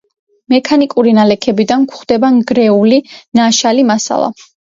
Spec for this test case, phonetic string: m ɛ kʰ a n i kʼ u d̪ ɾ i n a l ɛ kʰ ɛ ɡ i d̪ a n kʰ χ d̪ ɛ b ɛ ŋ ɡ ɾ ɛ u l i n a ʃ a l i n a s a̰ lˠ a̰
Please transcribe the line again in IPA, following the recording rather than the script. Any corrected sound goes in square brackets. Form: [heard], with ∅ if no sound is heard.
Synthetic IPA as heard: m ɛ kʰ a n i kʼ u [∅] ɾ i n a l ɛ kʰ ɛ [b] i d̪ a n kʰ χ d̪ ɛ b [a] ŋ ɡ ɾ ɛ u l i n a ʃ a l i [m] a s a̰ lˠ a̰